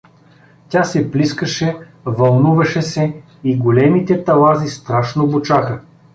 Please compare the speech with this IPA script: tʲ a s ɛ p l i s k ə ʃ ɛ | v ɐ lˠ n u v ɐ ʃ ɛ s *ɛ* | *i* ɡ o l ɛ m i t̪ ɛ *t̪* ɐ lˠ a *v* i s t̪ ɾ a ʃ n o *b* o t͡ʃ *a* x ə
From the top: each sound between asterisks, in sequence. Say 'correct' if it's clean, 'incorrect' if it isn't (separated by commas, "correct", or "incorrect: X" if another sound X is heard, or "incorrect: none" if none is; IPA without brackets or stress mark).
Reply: correct, correct, correct, incorrect: z, correct, correct